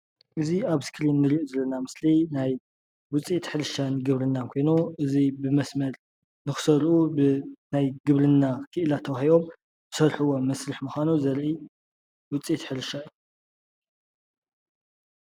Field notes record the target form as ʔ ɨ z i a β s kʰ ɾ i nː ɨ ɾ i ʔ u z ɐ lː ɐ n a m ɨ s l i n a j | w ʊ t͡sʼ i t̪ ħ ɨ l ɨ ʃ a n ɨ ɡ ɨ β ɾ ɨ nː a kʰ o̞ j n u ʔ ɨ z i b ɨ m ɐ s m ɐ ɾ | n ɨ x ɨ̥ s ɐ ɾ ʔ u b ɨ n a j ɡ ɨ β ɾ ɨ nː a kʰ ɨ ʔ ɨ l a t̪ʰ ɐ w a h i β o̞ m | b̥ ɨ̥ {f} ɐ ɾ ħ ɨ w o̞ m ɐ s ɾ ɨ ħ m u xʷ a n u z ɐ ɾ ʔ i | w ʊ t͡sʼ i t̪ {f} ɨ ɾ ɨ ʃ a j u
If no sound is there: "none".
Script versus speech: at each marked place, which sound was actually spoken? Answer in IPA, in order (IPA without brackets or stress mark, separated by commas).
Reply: s, ħ